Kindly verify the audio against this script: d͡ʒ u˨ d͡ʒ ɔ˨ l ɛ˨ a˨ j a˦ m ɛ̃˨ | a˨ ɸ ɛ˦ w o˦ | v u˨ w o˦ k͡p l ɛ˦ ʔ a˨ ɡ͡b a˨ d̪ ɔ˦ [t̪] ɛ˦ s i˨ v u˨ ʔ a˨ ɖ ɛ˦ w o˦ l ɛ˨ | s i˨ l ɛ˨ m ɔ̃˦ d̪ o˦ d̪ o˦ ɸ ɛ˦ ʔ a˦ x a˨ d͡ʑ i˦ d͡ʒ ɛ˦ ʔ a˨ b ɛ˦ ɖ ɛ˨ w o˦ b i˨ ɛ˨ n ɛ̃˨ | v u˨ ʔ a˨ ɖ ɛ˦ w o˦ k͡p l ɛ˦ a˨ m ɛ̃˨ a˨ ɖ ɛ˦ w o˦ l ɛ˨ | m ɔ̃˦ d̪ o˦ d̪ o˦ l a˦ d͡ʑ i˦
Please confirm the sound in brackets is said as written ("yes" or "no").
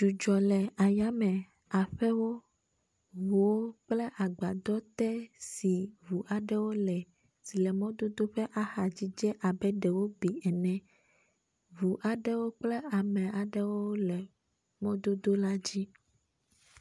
yes